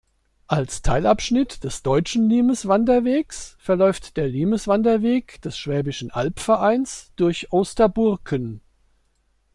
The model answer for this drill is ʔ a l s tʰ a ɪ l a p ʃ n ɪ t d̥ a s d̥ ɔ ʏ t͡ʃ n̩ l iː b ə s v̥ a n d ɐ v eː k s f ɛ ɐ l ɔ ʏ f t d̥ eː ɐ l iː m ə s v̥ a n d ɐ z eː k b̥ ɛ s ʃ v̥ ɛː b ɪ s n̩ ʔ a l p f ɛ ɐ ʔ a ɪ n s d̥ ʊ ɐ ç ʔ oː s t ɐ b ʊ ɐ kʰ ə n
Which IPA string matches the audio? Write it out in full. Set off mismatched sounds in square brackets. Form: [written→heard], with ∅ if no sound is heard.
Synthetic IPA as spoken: ʔ a l s tʰ a ɪ l a p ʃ n ɪ t d̥ [a→ɛ] s d̥ ɔ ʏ t͡ʃ n̩ l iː [b→m] ə s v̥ a n d ɐ v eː k s f ɛ ɐ l ɔ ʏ f t d̥ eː ɐ l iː m ə s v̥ a n d ɐ [z→v] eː k [b̥→d̥] ɛ s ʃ v̥ ɛː b ɪ [s→ʃ] n̩ ʔ a l p f ɛ ɐ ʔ a ɪ n s d̥ ʊ ɐ ç ʔ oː s t ɐ b ʊ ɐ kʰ ə n